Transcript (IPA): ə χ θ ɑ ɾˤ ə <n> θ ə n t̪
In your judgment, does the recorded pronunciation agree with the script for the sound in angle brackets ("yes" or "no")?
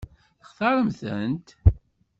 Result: no